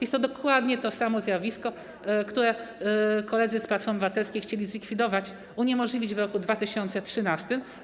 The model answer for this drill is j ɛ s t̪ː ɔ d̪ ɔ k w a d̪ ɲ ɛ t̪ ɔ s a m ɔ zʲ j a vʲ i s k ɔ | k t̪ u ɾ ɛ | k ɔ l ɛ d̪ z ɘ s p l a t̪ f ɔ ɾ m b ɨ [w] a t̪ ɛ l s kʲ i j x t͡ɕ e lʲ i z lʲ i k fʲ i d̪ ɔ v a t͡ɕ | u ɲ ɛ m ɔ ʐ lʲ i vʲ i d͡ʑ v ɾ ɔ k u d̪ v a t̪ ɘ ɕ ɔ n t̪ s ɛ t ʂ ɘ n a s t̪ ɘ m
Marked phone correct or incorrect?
incorrect